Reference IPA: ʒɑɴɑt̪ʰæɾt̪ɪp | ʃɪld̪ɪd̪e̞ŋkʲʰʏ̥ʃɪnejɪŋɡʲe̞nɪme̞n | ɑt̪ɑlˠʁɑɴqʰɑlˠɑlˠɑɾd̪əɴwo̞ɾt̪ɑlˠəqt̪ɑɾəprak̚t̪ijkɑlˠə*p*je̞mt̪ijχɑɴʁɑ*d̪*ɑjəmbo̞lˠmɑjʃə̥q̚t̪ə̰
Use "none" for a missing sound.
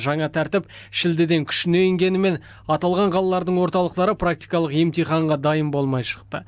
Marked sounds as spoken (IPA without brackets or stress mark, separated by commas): q, d̪